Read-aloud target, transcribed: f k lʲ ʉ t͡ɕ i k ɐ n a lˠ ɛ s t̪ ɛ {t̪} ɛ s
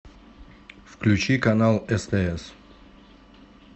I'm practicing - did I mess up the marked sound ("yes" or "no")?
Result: yes